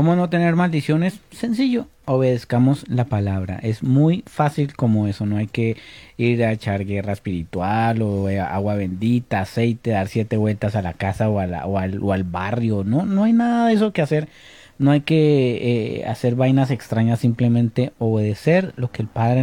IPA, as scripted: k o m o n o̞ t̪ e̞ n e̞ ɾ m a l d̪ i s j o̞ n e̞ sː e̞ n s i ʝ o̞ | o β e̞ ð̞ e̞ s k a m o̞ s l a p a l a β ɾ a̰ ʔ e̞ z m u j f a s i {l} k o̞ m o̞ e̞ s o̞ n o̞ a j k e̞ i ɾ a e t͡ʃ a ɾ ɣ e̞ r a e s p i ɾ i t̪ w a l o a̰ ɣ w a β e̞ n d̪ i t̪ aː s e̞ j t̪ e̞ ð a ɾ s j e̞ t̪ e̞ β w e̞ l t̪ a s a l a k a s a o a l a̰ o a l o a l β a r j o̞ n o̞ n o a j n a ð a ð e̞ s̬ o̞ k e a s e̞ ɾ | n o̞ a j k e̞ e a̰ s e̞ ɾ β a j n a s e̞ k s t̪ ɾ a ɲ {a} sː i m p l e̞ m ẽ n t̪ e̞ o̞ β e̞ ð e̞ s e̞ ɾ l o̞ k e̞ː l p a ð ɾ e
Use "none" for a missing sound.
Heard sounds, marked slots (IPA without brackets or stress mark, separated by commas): l, a